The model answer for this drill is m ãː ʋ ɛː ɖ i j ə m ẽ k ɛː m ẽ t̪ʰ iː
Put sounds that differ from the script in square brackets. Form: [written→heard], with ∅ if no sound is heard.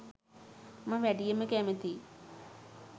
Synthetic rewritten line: m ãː ʋ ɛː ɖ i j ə m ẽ k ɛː m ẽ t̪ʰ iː